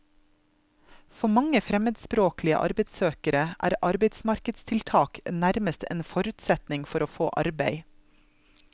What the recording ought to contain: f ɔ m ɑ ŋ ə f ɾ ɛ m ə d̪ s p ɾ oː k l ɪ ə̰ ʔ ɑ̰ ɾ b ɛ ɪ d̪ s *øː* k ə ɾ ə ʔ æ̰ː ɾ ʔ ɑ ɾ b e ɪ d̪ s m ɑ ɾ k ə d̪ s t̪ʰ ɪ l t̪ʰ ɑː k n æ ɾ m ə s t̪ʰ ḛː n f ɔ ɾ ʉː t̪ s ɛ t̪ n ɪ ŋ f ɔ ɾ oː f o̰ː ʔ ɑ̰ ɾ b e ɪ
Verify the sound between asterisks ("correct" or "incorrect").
correct